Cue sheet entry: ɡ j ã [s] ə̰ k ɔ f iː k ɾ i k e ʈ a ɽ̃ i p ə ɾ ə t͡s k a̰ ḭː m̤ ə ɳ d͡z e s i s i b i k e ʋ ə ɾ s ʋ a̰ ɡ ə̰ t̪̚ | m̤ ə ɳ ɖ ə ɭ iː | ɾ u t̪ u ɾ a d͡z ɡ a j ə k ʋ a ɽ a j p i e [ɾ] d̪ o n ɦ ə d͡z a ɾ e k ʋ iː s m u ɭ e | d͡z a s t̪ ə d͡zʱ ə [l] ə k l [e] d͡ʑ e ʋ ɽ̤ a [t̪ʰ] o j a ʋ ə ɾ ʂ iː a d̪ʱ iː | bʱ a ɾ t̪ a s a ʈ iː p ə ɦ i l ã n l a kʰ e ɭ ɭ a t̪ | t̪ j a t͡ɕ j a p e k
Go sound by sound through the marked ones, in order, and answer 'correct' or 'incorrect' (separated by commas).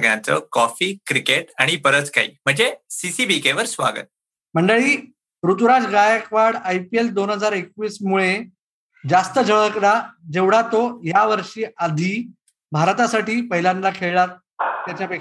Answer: incorrect, incorrect, incorrect, incorrect, incorrect